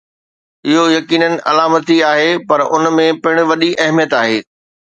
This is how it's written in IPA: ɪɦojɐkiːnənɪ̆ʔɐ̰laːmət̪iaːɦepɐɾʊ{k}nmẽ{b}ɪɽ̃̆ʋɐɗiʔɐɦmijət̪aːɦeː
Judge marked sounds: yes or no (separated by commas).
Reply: no, no